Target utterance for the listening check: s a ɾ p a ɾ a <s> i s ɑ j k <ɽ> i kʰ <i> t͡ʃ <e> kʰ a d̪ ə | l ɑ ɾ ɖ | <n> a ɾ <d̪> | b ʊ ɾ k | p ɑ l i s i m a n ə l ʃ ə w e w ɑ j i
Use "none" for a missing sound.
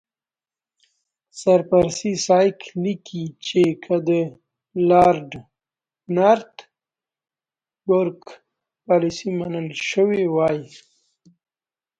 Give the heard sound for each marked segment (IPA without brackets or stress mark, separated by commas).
s, l, i, e, n, t̪